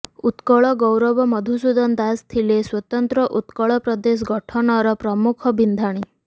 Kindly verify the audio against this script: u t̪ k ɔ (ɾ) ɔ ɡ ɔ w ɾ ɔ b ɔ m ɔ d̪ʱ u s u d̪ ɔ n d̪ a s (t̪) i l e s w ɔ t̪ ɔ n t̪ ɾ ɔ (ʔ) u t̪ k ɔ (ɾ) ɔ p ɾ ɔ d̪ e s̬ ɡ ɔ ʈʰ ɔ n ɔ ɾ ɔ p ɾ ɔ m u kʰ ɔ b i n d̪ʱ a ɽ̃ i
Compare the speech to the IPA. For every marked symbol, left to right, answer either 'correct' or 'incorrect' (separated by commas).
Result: incorrect, incorrect, correct, incorrect